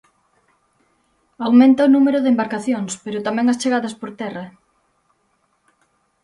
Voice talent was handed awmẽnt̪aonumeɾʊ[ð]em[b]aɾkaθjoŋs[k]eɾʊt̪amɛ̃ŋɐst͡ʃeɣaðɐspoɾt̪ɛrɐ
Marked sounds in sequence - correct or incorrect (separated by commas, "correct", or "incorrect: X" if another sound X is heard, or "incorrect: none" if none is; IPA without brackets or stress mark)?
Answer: correct, correct, incorrect: p